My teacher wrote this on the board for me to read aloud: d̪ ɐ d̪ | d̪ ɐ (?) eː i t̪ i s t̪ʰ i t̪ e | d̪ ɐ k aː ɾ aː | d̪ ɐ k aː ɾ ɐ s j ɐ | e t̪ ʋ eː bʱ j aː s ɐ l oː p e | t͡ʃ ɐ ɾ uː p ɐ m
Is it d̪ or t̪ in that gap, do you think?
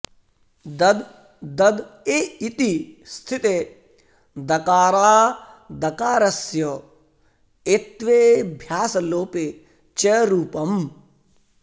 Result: d̪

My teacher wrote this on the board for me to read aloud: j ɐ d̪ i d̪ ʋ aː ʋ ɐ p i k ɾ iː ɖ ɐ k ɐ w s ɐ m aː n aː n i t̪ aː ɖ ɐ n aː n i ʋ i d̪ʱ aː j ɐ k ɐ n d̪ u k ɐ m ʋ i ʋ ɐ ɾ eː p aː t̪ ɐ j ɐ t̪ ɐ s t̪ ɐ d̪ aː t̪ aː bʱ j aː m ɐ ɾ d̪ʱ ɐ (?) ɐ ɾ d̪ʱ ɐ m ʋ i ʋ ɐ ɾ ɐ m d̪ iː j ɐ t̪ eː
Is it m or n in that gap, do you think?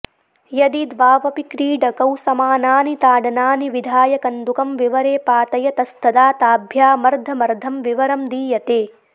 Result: m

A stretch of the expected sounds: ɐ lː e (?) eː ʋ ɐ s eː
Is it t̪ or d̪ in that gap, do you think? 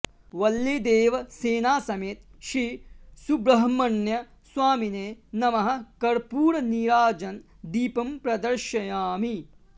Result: d̪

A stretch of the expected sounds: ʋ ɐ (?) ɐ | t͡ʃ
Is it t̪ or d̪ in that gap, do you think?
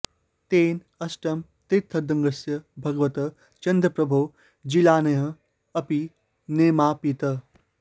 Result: t̪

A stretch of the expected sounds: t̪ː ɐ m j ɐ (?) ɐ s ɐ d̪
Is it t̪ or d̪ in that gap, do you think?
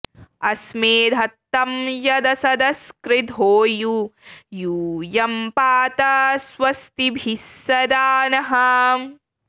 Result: d̪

